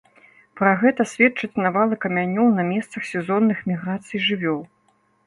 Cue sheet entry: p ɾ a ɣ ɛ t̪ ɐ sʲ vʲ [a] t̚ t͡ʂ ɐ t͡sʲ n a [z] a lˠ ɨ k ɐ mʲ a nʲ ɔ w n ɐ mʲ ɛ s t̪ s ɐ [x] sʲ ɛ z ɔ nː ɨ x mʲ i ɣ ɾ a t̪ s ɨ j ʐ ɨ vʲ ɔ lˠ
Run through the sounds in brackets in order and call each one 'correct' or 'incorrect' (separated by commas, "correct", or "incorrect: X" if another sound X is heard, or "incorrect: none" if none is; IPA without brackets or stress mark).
incorrect: ɛ, incorrect: v, correct